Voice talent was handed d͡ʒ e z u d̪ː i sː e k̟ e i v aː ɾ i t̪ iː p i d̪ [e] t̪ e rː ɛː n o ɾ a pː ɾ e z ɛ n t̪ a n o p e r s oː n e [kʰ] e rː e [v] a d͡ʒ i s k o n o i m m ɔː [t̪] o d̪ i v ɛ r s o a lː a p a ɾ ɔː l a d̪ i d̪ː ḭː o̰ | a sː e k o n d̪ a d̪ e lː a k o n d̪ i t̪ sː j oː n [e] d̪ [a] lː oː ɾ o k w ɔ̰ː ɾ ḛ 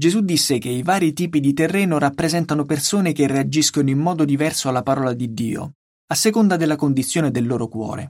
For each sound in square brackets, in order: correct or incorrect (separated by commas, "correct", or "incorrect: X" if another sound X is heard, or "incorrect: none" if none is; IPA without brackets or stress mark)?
incorrect: i, incorrect: k, incorrect: none, incorrect: d̪, correct, incorrect: e